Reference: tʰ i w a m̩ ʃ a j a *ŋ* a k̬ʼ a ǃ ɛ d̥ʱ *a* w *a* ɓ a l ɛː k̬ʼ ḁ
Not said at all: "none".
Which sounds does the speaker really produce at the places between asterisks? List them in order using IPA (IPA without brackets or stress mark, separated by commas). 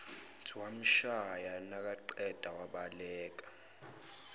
n, a, a